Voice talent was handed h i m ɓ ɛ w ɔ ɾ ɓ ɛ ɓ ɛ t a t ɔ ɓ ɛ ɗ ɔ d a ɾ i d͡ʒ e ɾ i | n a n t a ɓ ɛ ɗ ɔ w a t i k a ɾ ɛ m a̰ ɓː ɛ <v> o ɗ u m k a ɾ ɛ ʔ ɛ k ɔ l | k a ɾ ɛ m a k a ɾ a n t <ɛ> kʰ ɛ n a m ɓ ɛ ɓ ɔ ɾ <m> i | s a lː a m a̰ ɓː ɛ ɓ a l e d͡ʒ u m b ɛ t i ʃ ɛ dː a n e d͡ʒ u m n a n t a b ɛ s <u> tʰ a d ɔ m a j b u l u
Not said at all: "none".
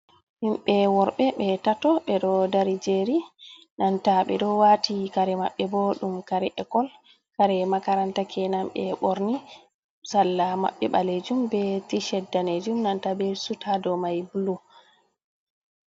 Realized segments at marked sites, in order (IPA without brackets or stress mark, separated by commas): b, a, n, u